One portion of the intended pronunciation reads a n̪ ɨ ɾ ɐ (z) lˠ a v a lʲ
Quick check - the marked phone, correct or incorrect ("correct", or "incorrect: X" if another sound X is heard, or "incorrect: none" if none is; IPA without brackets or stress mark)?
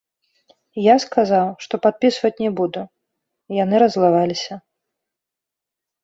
correct